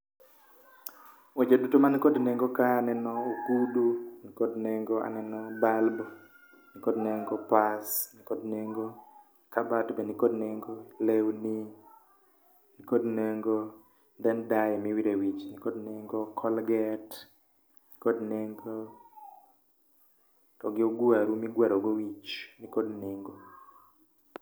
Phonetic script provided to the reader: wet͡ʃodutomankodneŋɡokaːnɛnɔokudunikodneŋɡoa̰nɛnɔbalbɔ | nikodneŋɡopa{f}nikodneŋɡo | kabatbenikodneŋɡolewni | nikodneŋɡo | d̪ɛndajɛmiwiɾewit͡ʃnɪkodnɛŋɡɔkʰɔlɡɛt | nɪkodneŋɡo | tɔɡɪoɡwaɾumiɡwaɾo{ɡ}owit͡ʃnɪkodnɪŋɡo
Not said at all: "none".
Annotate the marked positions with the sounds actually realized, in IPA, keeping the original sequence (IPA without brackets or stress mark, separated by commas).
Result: s, ɡ